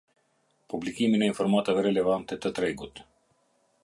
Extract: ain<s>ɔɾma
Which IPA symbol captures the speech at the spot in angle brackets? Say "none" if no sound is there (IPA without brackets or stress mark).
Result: f